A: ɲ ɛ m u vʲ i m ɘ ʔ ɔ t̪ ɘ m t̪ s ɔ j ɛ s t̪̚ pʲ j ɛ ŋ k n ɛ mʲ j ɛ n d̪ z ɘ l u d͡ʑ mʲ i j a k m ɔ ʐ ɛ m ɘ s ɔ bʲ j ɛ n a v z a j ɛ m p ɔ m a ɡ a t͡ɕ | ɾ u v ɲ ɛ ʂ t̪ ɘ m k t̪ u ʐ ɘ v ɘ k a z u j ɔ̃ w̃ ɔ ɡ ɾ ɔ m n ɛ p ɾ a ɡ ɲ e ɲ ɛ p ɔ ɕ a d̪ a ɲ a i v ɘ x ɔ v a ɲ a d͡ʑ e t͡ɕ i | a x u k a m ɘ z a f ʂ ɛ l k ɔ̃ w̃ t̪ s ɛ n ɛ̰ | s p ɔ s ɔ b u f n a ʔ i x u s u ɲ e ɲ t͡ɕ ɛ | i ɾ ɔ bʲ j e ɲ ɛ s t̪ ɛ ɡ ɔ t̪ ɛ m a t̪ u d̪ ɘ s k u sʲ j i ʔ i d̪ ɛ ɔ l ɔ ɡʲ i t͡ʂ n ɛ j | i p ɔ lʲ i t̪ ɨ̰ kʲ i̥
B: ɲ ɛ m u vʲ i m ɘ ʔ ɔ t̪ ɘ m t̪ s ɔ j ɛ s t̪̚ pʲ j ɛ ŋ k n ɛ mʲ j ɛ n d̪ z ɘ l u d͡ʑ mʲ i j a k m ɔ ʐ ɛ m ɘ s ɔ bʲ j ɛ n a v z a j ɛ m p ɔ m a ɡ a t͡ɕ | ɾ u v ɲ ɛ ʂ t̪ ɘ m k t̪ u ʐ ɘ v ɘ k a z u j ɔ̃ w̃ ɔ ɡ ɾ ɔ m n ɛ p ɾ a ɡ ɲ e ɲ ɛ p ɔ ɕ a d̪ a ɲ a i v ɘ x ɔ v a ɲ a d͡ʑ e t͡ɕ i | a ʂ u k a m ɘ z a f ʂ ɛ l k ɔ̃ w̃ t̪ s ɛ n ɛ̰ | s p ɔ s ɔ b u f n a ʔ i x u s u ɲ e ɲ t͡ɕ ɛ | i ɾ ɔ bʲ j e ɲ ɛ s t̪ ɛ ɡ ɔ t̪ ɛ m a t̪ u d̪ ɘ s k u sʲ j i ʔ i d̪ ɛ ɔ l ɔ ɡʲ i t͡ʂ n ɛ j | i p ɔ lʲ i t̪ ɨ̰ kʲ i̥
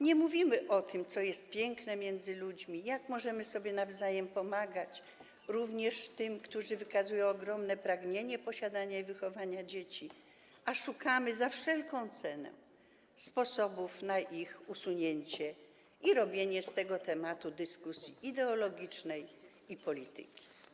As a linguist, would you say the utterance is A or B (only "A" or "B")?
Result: B